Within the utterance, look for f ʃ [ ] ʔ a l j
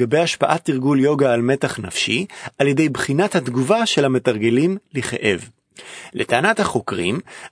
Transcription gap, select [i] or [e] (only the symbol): i